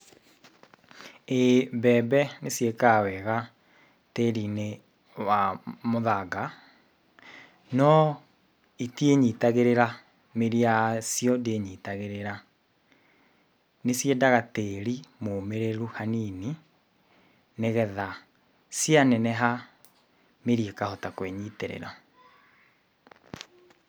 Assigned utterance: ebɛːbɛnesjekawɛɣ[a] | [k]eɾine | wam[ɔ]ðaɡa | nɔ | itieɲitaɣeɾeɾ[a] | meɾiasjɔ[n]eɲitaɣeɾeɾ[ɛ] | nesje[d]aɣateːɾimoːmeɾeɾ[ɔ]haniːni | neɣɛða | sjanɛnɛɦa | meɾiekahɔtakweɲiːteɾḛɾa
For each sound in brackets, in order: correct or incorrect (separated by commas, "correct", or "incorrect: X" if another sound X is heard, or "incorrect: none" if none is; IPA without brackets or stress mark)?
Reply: correct, incorrect: t, incorrect: o, correct, incorrect: d, incorrect: a, correct, incorrect: u